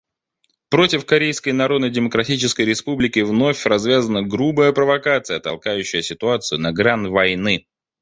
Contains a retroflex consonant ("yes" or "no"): no